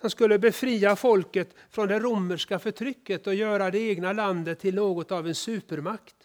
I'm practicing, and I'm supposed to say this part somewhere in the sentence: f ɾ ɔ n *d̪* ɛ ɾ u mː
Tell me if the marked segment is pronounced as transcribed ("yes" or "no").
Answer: yes